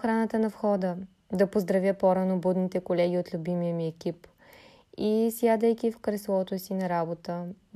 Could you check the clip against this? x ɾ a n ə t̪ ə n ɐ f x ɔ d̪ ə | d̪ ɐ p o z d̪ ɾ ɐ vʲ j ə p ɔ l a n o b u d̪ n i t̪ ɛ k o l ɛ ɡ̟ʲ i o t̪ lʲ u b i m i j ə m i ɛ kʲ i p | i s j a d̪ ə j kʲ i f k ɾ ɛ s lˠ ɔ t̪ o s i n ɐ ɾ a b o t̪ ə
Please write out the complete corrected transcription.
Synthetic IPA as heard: x ɾ a n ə t̪ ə n ɐ f x ɔ d̪ ə | d̪ ɐ p o z d̪ ɾ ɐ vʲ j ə p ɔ ɾ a n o b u d̪ n i t̪ ɛ k o l ɛ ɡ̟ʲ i o t̪ lʲ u b i m i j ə m i ɛ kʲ i p | i s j a d̪ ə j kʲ i f k ɾ ɛ s lˠ ɔ t̪ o s i n ɐ ɾ a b o t̪ ə